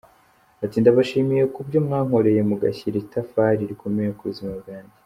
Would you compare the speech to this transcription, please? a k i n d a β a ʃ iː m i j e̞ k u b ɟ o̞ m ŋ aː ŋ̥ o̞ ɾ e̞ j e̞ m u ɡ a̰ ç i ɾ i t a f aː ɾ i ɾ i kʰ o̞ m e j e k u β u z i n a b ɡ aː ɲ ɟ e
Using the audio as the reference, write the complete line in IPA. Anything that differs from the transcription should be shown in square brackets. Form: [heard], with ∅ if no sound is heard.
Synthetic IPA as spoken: a [t] i n d a β a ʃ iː m i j e̞ k u b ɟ o̞ m ŋ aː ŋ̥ o̞ ɾ e̞ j e̞ m u ɡ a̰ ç i ɾ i t a f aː ɾ i ɾ i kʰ o̞ m e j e k u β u z i [m] a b ɡ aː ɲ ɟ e